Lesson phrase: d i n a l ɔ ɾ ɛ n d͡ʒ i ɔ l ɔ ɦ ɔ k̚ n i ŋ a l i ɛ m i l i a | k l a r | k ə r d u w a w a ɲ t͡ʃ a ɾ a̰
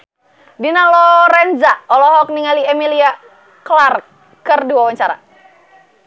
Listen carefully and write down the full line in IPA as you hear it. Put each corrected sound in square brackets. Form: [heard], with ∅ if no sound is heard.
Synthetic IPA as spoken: d i n a l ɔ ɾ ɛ n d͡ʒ [a] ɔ l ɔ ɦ ɔ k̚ n i ŋ a l i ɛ m i l i a | k l a r | k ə r d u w a w a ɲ t͡ʃ a ɾ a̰